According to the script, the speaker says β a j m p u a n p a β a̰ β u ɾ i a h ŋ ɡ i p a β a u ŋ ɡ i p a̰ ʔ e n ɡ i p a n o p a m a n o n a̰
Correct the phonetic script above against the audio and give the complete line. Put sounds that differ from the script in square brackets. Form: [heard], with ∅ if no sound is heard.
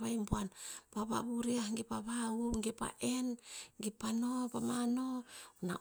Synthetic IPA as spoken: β a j m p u a n p a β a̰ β u ɾ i a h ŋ ɡ i p a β a u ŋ ɡ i p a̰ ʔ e n ɡ i p a n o p a m a n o n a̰